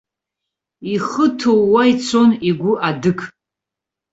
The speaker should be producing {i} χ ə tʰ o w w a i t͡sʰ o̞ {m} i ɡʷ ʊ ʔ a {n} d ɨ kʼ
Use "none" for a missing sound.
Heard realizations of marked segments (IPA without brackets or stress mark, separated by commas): i, n, none